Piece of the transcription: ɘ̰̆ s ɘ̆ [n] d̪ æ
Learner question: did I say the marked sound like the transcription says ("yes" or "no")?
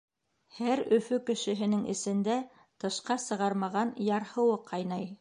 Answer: yes